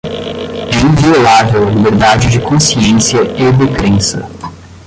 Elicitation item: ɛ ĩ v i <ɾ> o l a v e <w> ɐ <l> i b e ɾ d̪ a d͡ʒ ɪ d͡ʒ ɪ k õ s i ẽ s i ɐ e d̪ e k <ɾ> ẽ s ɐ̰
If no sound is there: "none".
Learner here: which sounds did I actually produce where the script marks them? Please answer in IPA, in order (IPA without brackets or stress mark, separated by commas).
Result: none, w, l, ɾ